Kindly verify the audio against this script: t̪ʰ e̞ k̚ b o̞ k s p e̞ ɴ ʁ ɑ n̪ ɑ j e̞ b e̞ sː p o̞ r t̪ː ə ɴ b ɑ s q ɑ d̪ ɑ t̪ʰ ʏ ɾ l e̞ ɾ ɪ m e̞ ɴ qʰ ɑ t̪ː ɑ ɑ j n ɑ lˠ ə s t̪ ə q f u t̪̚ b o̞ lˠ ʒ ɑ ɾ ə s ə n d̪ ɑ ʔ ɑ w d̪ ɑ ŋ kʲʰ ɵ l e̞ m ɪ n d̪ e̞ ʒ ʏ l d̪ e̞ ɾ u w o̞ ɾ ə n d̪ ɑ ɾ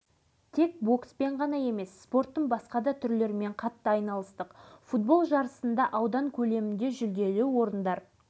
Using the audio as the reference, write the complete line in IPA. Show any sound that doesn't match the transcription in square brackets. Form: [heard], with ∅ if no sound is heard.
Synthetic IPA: t̪ʰ e̞ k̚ b o̞ k s p e̞ ɴ ʁ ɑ n̪ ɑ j e̞ [m] e̞ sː p o̞ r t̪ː ə ɴ b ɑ s q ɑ d̪ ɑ t̪ʰ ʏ ɾ l e̞ ɾ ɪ m e̞ ɴ qʰ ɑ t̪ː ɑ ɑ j n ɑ lˠ ə s t̪ ə q f u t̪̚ b o̞ lˠ ʒ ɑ ɾ ə s ə n d̪ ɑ ʔ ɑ w d̪ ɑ ŋ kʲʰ ɵ l e̞ m ɪ n d̪ e̞ ʒ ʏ l d̪ e̞ [l] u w o̞ ɾ ə n d̪ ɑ ɾ

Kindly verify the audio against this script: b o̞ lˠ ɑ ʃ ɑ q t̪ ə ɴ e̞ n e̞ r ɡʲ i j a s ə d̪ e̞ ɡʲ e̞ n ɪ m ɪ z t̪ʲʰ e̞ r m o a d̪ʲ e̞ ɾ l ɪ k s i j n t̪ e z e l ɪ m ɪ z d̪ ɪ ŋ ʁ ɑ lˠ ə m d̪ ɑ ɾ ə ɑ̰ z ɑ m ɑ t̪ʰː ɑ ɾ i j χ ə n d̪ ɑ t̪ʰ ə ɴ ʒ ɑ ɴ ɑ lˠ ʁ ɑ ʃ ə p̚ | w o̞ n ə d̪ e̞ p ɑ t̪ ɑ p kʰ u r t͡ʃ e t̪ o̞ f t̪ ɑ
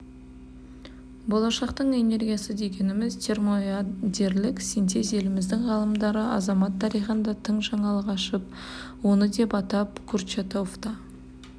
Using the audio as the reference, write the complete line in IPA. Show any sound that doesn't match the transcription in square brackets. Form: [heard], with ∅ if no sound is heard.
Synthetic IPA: b o̞ lˠ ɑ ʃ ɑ q t̪ ə ɴ e̞ n e̞ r ɡʲ i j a s ə d̪ e̞ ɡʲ e̞ n ɪ m ɪ z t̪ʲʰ e̞ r m o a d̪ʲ e̞ ɾ l ɪ k s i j n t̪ e z e l ɪ m ɪ z d̪ ɪ ŋ ʁ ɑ lˠ ə m d̪ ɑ ɾ ə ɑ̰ z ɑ m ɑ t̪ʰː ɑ ɾ i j χ ə n d̪ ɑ t̪ʰ ə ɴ ʒ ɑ ɴ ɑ lˠ ʁ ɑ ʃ ə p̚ | w o̞ n ə d̪ e̞ p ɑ t̪ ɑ p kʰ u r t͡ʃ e t̪ o̞ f t̪ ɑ

